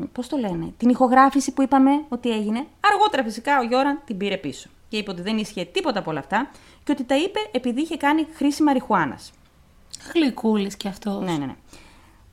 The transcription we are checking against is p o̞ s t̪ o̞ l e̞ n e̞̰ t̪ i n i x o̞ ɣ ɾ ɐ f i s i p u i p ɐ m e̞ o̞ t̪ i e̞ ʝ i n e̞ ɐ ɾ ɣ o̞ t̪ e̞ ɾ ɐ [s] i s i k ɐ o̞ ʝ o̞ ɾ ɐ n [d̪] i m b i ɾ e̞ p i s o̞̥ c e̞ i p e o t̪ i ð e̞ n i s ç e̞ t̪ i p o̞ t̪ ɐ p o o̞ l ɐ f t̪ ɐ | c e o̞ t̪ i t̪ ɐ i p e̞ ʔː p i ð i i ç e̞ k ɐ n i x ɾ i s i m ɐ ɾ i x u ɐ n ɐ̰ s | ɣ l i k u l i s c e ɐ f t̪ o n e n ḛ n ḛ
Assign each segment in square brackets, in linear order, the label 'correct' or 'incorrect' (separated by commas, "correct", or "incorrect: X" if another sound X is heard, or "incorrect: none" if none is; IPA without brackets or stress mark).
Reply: incorrect: f, incorrect: t̪